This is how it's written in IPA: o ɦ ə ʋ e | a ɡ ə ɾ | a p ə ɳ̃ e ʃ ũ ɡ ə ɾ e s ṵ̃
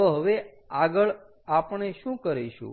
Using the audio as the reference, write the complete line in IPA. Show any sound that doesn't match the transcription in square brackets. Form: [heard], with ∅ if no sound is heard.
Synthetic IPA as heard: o ɦ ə ʋ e | a ɡ ə [ɭ] | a p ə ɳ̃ e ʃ ũ [k] ə ɾ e [ʃ] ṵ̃